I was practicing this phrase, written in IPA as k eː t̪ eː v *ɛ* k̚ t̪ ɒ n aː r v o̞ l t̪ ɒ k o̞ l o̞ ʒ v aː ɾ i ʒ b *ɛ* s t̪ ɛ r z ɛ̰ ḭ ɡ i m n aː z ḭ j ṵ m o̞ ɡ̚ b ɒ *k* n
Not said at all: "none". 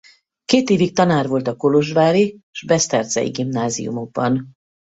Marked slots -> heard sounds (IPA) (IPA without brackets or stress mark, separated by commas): i, ɛ, none